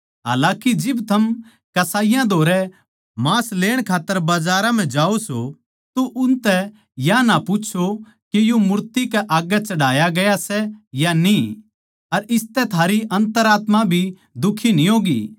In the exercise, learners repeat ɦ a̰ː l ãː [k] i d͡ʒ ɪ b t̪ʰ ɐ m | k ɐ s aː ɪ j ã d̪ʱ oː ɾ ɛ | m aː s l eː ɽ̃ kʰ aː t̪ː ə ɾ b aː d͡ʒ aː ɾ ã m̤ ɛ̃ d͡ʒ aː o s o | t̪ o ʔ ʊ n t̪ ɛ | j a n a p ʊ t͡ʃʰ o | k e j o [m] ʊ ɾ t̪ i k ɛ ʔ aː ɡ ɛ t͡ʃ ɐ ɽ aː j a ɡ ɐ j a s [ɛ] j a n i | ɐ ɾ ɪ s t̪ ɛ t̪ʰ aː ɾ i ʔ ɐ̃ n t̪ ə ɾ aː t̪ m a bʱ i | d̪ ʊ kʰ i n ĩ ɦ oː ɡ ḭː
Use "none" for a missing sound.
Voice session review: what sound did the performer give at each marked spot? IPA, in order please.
k, m, ɛ

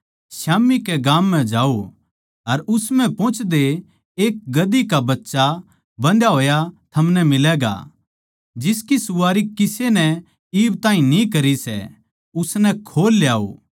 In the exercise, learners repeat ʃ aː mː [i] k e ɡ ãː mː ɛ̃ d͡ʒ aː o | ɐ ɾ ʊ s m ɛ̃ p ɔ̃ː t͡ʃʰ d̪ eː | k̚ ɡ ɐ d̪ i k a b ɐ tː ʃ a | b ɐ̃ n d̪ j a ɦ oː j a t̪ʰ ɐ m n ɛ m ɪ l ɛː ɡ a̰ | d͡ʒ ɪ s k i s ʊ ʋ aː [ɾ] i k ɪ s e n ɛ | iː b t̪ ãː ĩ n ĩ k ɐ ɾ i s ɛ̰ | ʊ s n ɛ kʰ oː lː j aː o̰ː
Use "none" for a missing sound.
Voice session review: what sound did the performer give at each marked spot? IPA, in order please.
i, ɾ

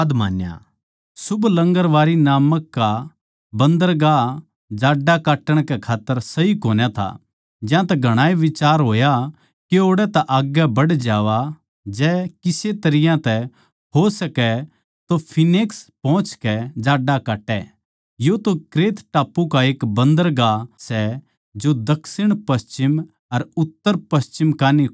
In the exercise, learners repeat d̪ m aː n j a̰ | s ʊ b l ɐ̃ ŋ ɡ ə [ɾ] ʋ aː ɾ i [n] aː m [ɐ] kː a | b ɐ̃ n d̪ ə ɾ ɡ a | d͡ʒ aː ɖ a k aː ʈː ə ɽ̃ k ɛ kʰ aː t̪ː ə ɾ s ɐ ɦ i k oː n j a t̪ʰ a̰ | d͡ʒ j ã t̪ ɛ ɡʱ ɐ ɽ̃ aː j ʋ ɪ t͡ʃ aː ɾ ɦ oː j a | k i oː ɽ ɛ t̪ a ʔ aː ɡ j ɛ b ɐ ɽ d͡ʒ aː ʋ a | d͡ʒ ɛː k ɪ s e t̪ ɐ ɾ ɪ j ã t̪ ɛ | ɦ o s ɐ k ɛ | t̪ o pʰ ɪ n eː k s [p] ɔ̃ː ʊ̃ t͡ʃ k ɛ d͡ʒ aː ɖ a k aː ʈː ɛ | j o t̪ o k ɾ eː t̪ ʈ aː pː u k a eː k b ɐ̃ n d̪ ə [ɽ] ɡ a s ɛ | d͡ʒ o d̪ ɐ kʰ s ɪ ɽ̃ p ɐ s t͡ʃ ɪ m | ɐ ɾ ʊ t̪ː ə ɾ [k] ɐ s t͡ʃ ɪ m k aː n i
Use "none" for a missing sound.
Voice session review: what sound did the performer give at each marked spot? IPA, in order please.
ɾ, n, ə, p, ɾ, p

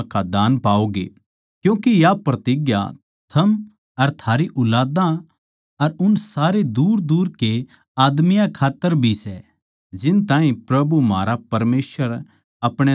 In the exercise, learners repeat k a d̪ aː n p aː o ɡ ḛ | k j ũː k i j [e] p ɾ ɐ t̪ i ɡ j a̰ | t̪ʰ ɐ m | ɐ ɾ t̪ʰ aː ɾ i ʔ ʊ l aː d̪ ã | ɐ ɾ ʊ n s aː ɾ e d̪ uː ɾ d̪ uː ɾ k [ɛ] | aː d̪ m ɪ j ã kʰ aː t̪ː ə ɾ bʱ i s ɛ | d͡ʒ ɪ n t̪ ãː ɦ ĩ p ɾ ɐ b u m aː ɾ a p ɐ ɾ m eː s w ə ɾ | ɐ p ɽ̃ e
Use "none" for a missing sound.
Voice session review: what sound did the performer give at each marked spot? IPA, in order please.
a, e

